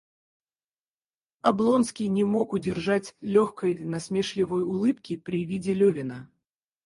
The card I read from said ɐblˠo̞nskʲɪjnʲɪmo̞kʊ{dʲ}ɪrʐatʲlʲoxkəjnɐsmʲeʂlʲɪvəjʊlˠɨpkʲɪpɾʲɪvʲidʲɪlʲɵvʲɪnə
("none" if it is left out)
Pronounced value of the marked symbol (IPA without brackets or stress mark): dʲ